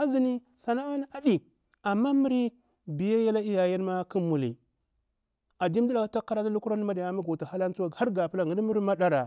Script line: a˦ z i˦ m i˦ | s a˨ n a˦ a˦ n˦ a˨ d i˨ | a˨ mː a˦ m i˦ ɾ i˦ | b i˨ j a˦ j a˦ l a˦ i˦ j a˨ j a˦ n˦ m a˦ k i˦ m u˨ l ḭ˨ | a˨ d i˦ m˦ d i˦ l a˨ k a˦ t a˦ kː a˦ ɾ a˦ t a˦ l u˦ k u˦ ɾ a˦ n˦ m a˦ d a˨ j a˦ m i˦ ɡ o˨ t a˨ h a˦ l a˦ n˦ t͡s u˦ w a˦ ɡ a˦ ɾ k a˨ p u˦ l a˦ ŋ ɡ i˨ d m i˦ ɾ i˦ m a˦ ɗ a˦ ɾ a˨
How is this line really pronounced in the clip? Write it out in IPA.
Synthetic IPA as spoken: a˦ z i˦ n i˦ | s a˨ n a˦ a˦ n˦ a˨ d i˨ | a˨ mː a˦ m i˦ ɾ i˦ | b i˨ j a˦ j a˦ l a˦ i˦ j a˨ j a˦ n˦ m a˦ k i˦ m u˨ l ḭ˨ | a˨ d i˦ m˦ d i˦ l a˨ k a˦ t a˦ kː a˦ ɾ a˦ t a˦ l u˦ k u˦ ɾ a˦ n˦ m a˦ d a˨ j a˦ m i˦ ɡ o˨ t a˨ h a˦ l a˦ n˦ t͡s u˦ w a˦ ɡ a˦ ɾ ɡ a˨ p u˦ l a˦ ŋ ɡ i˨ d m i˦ ɾ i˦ m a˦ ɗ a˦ ɾ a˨